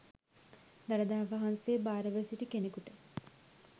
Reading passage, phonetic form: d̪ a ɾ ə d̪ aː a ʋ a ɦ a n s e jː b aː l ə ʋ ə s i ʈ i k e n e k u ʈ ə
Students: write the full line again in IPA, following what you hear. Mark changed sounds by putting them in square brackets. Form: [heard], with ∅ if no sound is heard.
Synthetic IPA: d̪ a ɾ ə d̪ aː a ʋ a ɦ a n s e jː b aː [ɾ] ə ʋ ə s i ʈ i k e n e k u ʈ ə